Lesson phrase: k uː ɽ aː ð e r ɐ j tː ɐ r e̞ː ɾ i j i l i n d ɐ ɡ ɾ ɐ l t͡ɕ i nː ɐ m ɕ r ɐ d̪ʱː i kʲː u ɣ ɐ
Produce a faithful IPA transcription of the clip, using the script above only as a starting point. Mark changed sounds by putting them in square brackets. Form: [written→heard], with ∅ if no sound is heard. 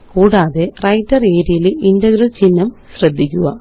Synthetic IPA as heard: k uː ɽ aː ð e r ɐ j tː ɐ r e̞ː ɾ i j i l i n d ɐ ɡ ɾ ɐ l t͡ɕ i nː ɐ m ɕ r ɐ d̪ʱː i kʲː u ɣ ɐ